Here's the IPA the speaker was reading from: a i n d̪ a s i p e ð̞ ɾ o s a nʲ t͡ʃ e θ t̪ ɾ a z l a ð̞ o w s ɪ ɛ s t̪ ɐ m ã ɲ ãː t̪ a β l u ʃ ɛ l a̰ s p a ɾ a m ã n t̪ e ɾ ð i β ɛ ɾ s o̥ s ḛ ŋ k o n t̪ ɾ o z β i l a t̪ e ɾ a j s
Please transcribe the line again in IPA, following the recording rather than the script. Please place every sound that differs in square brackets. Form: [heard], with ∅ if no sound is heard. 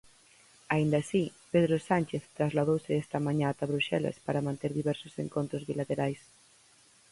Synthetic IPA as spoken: a i n d̪ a s i p e ð̞ ɾ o s a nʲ t͡ʃ e θ t̪ ɾ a z l a ð̞ o w s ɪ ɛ s t̪ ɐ m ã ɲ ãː t̪ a β [ɾ] u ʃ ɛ l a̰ s p a ɾ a m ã n t̪ e ɾ ð i β ɛ ɾ s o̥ s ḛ ŋ k o n t̪ ɾ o z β i l a t̪ e ɾ a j s